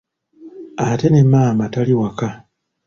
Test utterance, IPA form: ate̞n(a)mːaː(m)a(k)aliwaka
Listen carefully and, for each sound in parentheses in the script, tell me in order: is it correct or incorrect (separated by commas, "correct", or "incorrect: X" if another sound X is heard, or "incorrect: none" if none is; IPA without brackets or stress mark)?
incorrect: e, correct, incorrect: t